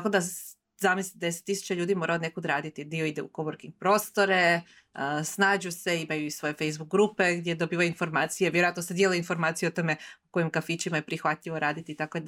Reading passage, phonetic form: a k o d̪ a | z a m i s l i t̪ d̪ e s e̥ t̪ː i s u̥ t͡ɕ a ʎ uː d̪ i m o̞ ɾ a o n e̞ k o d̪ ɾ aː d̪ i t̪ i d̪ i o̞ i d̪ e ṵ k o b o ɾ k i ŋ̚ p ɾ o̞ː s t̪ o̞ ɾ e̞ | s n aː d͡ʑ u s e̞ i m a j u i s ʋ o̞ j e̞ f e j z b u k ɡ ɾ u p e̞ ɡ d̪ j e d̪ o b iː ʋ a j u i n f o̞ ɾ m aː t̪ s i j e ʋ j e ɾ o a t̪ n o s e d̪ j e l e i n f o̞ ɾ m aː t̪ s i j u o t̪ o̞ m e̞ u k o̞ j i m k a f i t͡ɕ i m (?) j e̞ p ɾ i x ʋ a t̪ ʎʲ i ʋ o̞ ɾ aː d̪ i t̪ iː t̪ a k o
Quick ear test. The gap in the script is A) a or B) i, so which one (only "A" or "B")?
A